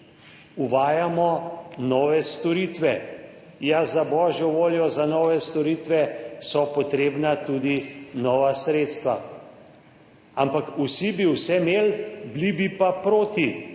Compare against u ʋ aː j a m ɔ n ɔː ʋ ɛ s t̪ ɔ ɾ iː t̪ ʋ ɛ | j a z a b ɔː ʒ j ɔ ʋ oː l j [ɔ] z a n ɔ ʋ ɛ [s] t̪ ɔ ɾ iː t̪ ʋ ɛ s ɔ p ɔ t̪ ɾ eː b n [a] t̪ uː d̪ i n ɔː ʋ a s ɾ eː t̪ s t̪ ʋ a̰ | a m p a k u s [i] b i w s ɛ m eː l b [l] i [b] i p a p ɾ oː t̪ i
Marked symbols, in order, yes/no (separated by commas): yes, yes, yes, yes, yes, yes